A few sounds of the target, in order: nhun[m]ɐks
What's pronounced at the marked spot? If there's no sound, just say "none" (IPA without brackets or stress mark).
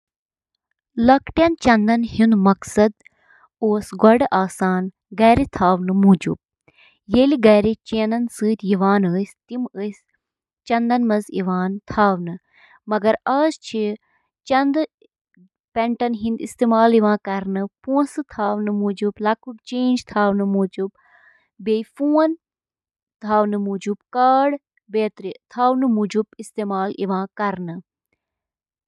m